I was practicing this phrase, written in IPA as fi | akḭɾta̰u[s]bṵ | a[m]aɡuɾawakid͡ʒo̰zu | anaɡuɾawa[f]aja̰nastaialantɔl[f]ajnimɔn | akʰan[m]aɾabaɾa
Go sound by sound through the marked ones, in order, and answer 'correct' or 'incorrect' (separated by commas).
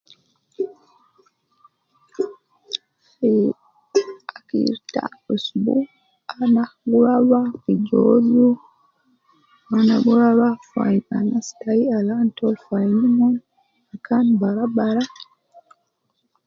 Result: correct, incorrect, correct, correct, incorrect